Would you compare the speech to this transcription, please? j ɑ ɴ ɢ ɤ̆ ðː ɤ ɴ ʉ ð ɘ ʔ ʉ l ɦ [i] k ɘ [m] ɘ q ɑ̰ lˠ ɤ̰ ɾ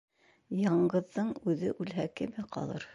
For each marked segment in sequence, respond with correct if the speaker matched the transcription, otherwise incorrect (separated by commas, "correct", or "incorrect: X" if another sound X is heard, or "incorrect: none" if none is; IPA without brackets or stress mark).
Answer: incorrect: æ, correct